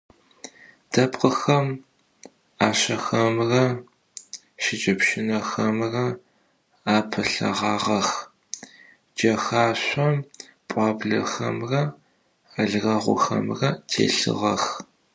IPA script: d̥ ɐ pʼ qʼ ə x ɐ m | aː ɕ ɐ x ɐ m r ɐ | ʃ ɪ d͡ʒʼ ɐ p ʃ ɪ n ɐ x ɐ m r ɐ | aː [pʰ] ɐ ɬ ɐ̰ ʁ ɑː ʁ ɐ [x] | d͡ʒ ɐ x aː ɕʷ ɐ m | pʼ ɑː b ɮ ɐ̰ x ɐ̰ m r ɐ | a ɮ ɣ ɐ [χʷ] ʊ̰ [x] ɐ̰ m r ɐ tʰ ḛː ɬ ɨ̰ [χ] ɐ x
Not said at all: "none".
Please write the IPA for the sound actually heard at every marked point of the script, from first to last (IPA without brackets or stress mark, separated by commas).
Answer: pʰ, x, ʁʷ, x, ʁ